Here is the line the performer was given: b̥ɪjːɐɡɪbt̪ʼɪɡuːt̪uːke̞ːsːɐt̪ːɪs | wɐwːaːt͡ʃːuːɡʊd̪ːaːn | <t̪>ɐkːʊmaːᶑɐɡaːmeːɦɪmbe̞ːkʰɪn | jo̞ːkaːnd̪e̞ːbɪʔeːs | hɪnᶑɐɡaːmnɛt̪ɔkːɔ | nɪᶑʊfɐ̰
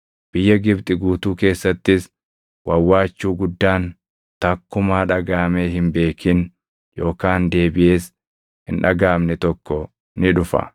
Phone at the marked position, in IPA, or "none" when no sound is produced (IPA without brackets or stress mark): t̪